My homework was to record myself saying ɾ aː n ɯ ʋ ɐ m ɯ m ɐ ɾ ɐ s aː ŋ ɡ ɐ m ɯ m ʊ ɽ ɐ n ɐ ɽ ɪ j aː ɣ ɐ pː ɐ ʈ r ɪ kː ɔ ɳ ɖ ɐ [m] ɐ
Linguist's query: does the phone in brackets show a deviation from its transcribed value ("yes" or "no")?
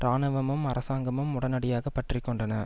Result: yes